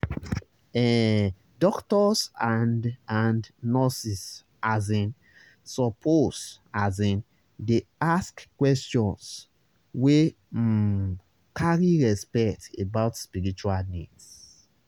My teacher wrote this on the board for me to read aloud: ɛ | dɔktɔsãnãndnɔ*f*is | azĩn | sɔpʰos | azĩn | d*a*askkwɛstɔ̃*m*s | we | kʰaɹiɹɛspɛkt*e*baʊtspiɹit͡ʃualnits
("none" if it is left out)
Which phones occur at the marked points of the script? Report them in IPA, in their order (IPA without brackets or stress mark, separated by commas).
s, e, n, e